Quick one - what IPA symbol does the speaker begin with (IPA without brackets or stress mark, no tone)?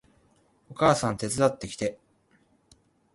o̞